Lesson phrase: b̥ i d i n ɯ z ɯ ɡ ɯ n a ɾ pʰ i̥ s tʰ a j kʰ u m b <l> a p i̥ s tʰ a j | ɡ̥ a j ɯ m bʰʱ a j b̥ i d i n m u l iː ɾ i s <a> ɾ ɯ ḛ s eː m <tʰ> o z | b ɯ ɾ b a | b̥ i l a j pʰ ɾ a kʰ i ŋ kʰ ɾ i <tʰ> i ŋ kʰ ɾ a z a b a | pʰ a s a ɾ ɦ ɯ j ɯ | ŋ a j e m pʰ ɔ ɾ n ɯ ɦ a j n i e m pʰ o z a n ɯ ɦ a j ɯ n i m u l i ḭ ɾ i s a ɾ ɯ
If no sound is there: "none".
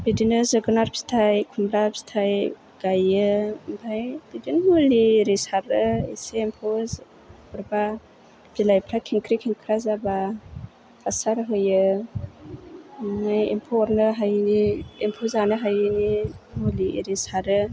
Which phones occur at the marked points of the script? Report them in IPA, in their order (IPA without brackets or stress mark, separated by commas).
ɾ, a, pʰ, kʰ